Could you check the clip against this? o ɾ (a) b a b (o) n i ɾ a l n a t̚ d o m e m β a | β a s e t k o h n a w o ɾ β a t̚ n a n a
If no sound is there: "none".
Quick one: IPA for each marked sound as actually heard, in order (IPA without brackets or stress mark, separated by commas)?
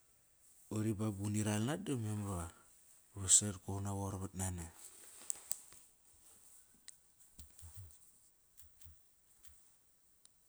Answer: i, u